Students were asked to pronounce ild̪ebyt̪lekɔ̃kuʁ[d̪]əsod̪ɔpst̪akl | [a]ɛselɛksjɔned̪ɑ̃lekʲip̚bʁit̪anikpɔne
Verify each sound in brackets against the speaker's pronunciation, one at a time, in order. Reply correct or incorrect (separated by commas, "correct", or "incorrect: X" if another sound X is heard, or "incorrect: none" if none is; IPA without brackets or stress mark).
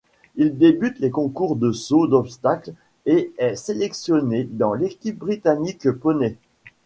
correct, incorrect: e